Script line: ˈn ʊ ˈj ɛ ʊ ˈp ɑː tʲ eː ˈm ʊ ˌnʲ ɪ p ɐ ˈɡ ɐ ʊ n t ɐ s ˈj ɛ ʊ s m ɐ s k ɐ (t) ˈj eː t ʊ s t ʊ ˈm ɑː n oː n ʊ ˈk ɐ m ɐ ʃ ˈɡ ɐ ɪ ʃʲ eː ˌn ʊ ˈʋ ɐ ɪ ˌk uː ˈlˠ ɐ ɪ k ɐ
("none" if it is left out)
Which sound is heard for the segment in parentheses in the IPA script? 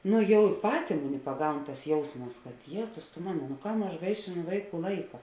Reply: t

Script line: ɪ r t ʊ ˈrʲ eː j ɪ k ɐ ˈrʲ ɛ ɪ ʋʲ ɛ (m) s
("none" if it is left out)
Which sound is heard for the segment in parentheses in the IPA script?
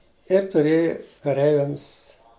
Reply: m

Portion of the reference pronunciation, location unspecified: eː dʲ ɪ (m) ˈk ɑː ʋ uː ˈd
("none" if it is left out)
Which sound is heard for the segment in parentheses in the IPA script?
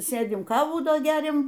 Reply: m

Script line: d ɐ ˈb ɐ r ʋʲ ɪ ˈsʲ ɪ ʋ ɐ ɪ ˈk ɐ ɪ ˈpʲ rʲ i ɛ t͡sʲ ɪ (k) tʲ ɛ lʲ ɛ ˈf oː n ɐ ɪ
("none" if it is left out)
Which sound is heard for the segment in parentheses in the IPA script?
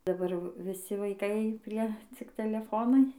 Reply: k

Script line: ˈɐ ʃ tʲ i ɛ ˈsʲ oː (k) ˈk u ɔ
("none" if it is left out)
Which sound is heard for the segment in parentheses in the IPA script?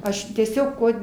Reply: k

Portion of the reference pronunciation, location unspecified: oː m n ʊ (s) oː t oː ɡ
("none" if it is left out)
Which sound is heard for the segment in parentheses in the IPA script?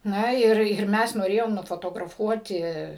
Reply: f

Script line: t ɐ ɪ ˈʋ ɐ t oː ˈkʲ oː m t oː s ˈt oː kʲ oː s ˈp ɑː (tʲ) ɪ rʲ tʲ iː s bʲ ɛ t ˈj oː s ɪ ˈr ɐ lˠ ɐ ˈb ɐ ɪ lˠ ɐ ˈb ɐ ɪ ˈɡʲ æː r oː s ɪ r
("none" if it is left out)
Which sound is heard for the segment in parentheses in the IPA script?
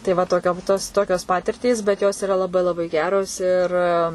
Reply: tʲ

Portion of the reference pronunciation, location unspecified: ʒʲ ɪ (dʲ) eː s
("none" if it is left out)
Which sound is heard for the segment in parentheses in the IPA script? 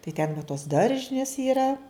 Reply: nʲ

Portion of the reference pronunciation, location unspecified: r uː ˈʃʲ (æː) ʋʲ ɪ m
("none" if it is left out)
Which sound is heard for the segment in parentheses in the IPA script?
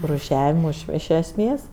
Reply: æː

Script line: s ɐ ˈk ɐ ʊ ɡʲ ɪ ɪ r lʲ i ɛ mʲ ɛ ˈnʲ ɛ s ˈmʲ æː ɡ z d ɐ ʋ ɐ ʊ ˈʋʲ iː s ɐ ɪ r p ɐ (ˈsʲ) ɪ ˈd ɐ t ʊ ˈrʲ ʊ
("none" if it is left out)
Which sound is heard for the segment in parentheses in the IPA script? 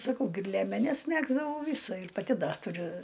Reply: tʲ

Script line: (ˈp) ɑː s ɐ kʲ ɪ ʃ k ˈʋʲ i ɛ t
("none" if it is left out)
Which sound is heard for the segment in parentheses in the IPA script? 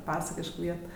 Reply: p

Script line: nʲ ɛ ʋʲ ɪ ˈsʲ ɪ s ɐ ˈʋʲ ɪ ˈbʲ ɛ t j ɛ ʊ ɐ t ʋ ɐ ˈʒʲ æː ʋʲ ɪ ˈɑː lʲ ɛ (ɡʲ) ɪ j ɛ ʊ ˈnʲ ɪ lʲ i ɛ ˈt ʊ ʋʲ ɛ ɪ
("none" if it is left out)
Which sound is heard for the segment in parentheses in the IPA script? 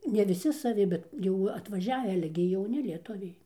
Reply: ɡʲ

